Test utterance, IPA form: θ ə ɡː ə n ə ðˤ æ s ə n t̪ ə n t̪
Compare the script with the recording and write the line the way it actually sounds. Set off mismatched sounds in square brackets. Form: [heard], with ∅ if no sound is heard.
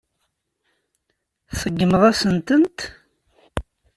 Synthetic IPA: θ ə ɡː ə [m] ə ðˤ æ s ə n t̪ ə n t̪